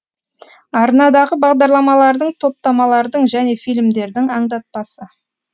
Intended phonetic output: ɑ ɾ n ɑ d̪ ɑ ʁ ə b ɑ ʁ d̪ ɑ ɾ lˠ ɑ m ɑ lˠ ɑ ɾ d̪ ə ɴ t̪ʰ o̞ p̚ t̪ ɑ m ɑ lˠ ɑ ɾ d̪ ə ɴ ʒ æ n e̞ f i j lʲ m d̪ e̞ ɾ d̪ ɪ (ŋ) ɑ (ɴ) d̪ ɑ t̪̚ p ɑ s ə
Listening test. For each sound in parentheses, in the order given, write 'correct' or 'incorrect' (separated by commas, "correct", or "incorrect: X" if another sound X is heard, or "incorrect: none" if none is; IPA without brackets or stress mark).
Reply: correct, correct